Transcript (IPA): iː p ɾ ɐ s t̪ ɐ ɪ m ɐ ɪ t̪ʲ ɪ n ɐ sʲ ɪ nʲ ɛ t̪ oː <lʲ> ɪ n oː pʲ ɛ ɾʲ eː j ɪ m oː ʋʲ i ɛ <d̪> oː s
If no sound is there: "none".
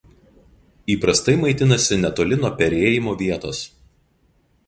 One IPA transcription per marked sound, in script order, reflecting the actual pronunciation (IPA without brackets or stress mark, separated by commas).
lʲ, t̪